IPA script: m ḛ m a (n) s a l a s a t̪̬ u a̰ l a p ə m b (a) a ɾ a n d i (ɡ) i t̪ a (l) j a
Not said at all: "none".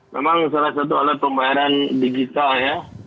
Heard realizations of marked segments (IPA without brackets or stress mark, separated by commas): ŋ, a, ɡ, l